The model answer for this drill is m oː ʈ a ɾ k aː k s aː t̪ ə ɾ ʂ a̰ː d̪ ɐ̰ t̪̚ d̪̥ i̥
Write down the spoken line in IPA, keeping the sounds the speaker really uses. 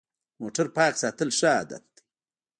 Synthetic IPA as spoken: m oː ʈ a ɾ p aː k s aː t̪ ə l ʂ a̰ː d̪ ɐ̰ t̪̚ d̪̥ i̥